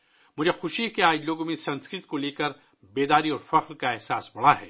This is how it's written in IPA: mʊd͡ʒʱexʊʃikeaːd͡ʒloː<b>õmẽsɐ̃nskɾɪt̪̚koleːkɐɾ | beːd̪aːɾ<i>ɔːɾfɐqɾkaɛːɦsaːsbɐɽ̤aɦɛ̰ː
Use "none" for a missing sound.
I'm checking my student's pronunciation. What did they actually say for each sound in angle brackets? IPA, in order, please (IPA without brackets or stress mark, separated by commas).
ɡ, i